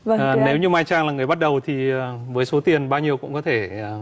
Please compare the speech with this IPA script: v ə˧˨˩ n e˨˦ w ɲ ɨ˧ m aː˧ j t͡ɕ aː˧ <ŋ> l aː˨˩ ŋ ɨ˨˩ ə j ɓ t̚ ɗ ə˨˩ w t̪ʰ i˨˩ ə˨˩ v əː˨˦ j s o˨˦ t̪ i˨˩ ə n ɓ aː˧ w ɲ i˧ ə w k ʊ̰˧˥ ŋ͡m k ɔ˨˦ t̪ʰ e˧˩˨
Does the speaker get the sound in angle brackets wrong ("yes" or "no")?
no